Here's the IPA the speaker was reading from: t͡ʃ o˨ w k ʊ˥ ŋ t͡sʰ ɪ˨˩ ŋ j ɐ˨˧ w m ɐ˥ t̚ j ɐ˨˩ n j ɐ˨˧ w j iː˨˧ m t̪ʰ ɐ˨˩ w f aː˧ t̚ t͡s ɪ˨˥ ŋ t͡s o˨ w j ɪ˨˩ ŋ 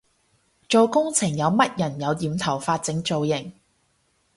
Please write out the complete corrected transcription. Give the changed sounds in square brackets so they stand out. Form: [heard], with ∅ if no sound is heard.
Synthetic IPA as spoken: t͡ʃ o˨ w k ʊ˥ ŋ t͡sʰ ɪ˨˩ ŋ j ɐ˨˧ w m ɐ˥ t̚ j ɐ˨˩ n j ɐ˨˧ w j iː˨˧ m t̪ʰ ɐ˨˩ w f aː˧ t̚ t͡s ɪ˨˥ ŋ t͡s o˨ w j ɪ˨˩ ŋ

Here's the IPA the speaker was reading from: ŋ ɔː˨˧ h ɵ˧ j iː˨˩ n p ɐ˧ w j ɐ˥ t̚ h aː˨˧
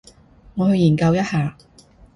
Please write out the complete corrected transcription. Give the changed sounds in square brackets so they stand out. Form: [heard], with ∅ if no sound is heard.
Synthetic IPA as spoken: ŋ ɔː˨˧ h ɵ˧ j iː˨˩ n [k] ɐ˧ w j ɐ˥ t̚ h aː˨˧

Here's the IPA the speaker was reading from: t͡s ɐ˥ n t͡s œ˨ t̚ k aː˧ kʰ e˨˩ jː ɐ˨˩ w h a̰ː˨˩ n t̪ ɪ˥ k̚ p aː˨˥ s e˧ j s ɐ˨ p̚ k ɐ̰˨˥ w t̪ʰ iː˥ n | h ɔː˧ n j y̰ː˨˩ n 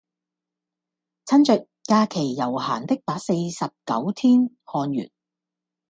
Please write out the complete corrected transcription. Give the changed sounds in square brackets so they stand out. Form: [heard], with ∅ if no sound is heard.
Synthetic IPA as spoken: [t͡sʰ] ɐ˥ n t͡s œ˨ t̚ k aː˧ kʰ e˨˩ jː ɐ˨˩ w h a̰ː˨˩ n t̪ ɪ˥ k̚ p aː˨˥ s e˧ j s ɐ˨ p̚ k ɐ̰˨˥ w t̪ʰ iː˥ n | h ɔː˧ n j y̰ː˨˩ n

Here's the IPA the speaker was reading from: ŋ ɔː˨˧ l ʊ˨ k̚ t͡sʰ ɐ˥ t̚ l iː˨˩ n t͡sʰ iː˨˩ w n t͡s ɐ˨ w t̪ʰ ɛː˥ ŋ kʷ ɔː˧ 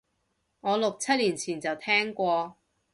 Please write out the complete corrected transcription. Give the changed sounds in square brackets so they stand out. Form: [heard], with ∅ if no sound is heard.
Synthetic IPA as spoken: ŋ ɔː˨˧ l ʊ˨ k̚ t͡sʰ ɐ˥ t̚ l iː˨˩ n t͡sʰ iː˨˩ [∅] n t͡s ɐ˨ w t̪ʰ ɛː˥ ŋ kʷ ɔː˧

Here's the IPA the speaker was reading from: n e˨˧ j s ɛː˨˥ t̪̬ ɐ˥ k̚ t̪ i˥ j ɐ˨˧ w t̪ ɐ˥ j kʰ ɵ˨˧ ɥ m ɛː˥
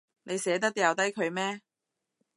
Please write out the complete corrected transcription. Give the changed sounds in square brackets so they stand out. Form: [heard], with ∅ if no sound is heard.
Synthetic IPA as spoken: n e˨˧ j s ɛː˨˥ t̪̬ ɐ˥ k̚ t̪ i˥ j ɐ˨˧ w t̪ ɐ˥ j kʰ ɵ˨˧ ɥ m ɛː˥

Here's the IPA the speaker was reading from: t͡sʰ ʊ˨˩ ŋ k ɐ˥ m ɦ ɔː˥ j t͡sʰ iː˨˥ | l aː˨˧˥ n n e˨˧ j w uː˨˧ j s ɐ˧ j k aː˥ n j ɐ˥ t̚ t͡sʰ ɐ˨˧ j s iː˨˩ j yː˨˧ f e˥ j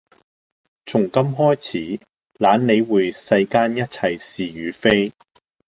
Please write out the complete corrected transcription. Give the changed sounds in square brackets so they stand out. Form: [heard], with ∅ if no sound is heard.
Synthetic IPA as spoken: t͡sʰ ʊ˨˩ ŋ k ɐ˥ m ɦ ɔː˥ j t͡sʰ iː˨˥ | l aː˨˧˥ n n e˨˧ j w uː˨˧ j s ɐ˧ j k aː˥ n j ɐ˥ t̚ t͡sʰ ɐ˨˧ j s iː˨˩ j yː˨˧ f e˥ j

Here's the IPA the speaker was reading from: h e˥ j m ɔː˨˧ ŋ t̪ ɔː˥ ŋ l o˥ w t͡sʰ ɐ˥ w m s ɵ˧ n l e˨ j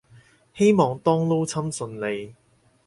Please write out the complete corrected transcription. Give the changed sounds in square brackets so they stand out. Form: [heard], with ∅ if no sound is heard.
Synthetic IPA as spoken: h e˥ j m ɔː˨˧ ŋ t̪ ɔː˥ ŋ l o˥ w t͡sʰ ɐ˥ [∅] m s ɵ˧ n l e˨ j

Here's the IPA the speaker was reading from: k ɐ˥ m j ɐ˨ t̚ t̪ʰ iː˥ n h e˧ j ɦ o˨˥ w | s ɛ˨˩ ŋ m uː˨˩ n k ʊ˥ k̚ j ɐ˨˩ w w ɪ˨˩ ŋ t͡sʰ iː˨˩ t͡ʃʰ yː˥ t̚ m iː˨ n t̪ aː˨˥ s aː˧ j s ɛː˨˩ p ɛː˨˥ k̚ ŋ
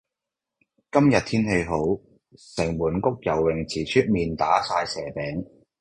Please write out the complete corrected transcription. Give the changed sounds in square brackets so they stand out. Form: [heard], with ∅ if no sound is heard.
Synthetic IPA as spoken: k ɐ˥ m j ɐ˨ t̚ t̪ʰ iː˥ n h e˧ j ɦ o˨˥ w | s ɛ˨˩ ŋ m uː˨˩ n k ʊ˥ k̚ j ɐ˨˩ w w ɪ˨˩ ŋ t͡sʰ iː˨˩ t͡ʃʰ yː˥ t̚ m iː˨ n t̪ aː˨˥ s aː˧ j s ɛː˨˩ p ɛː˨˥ [∅] ŋ

